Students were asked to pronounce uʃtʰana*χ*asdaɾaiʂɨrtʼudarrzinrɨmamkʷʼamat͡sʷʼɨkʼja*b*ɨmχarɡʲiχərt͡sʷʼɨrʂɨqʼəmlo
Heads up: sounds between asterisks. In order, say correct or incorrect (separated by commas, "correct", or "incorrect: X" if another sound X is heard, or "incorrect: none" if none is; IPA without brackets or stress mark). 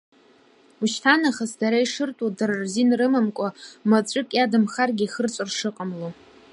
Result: correct, incorrect: d